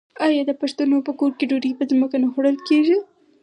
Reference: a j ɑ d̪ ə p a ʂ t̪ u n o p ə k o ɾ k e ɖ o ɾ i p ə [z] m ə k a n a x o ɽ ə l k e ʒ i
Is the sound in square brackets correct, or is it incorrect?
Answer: correct